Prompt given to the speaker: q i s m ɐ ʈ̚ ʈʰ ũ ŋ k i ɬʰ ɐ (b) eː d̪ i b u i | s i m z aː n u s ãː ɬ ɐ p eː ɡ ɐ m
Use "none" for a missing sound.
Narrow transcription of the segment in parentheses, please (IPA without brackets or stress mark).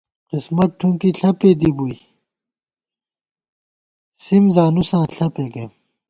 p